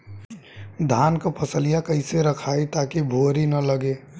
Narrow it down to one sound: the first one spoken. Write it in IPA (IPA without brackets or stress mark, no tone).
d̪ʱ